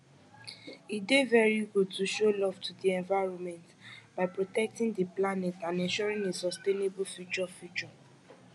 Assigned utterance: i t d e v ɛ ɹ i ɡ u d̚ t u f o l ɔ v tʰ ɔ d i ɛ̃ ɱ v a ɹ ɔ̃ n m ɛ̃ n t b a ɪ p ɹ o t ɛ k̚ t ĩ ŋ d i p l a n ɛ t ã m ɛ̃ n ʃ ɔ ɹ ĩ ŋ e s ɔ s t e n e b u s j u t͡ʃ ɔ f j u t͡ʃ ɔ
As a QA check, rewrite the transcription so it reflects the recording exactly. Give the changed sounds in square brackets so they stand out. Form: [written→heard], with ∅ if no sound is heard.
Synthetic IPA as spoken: i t d e v ɛ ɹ i ɡ u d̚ t u [f→ʃ] o l ɔ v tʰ [ɔ→u] d i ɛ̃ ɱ v a ɹ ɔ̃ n m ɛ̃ n t b a ɪ p ɹ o t ɛ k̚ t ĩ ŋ d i p l a n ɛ t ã [m→n] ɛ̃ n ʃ ɔ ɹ ĩ ŋ e s ɔ s t e n e b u [s→f] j u t͡ʃ ɔ f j u t͡ʃ ɔ

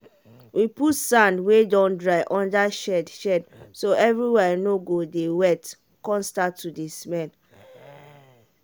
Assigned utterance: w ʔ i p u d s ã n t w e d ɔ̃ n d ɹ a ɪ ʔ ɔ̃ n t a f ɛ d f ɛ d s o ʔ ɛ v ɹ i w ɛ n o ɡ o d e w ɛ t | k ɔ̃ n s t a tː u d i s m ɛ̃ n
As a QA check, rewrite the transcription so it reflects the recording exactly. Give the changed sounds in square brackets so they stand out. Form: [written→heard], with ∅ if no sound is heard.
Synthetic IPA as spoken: w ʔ i p u [d→t] s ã n [t→d] w e d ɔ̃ n d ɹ a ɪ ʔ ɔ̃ n [t→d] a [f→ʃ] ɛ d [f→ʃ] ɛ d s o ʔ ɛ v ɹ i w ɛ n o ɡ o d e w ɛ t | k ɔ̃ n s t a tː u d i s m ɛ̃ n

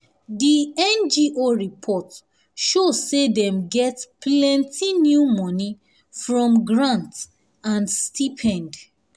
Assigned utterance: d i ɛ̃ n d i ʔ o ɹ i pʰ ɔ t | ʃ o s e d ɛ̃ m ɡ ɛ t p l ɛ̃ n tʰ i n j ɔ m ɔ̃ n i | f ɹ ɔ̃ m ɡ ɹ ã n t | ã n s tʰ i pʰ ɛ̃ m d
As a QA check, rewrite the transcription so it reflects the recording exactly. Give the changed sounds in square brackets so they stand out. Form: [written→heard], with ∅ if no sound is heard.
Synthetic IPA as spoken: d i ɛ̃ n [d→d͡ʒ] i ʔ o ɹ i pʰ ɔ t | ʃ o s e d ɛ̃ m ɡ ɛ t p l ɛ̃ n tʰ i n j [ɔ→u] m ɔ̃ n i | f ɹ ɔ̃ m ɡ ɹ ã n t | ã n s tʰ i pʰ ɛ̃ [m→n] d

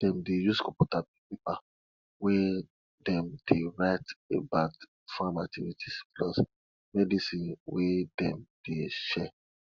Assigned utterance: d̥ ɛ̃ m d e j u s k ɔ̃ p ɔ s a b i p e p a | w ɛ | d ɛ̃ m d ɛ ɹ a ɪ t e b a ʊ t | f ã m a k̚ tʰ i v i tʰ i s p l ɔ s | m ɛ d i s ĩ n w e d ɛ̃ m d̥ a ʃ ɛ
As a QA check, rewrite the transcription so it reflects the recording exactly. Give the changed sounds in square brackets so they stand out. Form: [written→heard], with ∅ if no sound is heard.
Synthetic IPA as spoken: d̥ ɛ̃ m d e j u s k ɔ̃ p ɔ [s→t] a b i p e p a | w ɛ | d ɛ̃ m d [ɛ→e] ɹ a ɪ t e b a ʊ t | f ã m a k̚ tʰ i v i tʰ i s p l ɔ s | m ɛ d i s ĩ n w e d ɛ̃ m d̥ [a→e] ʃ ɛ

